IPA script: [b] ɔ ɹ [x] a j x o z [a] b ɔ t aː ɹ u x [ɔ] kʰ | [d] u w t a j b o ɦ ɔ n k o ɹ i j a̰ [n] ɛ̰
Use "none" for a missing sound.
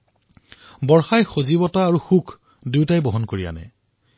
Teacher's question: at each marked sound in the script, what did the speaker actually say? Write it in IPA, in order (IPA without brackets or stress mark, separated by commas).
b, x, i, u, d, n